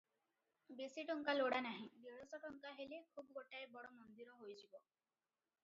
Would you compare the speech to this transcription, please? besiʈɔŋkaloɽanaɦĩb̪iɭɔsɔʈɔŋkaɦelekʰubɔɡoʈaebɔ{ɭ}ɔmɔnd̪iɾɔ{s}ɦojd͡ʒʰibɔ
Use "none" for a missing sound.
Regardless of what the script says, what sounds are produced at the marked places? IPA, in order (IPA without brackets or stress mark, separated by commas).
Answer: ɽ, none